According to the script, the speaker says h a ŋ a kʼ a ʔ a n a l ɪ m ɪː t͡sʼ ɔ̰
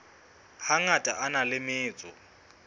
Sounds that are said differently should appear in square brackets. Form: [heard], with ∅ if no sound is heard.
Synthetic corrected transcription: h a ŋ a [tʼ] a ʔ a n a l ɪ m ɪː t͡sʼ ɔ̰